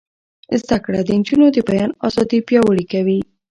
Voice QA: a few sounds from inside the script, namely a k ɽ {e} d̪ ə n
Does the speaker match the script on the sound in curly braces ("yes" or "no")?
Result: no